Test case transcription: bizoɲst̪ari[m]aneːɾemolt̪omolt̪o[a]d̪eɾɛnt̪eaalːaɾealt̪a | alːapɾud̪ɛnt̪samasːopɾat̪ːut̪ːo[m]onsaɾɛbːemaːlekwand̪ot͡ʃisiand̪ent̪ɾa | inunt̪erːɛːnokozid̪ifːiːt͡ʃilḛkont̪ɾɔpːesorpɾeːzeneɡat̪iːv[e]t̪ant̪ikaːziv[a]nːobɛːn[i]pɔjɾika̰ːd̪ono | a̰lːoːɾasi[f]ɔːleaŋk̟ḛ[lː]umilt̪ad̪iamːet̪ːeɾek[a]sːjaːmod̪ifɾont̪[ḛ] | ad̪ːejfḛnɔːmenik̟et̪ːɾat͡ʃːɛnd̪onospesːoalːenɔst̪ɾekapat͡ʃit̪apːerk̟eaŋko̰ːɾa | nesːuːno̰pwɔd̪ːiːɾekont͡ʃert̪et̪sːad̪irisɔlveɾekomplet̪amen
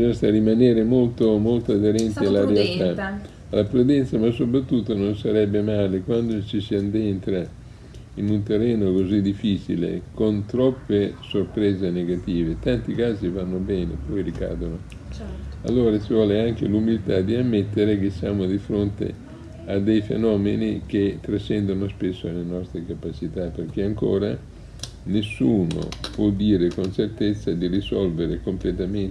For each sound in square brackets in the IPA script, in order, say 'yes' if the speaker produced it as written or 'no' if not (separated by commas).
yes, yes, no, yes, yes, no, no, no, no, yes